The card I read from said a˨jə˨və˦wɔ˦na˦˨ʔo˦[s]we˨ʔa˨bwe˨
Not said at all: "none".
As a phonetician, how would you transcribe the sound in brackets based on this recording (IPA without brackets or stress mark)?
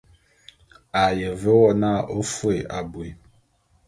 f